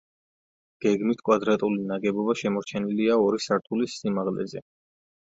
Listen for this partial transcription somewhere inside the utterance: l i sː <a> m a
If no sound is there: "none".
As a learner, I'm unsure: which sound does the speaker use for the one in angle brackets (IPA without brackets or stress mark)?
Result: i